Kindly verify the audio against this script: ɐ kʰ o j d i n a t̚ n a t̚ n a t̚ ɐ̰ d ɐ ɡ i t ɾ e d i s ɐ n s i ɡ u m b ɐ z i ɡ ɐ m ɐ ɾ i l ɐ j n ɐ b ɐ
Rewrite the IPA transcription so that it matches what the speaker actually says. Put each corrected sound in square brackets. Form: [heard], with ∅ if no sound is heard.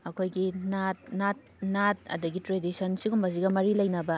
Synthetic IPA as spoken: ɐ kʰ o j [ɡ] i n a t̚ n a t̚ n a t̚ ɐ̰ d ɐ ɡ i t ɾ e d i s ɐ n s i ɡ u m b ɐ z i ɡ ɐ m ɐ ɾ i l ɐ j n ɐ b ɐ